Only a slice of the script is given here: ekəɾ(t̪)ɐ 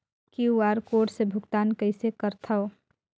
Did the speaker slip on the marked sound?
yes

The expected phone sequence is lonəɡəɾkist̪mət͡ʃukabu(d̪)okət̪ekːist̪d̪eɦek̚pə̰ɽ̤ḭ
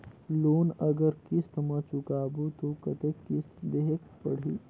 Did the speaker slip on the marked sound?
yes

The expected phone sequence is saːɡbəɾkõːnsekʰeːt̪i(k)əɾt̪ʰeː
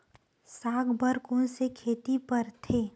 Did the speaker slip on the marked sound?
yes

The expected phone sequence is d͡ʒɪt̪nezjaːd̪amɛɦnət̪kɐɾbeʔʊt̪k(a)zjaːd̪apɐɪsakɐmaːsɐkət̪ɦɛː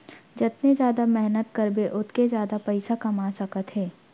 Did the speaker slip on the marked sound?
yes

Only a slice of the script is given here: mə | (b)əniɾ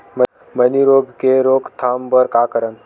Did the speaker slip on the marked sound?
yes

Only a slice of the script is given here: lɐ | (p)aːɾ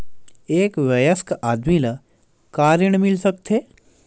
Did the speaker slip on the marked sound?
yes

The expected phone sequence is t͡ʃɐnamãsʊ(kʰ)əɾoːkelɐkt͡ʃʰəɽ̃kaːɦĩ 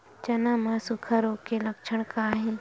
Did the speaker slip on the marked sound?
no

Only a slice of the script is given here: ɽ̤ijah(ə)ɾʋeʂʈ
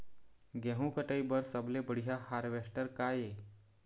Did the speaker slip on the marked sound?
yes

